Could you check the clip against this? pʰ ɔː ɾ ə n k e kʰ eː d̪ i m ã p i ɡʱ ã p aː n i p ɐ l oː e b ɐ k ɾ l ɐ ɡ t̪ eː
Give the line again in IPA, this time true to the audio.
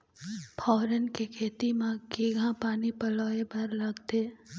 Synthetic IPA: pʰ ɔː ɾ ə n k e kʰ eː t̪ i m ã k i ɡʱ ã p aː n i p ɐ l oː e b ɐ ɾ l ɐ ɡ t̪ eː